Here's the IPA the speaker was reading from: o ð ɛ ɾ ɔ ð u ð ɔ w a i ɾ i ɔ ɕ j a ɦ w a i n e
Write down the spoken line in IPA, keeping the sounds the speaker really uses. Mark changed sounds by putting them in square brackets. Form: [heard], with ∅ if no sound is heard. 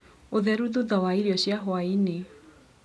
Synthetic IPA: o ð ɛ ɾ [u] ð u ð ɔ w a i ɾ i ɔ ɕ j a ɦ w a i n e